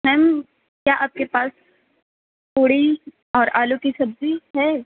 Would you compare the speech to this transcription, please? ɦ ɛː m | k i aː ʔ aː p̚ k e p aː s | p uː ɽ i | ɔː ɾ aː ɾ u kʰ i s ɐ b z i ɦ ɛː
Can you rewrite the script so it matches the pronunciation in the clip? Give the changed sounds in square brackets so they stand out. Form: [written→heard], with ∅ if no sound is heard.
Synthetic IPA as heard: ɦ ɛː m | k [i→j] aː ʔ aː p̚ k e p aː s | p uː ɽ i | ɔː ɾ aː [ɾ→l] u [kʰ→k] i s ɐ b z i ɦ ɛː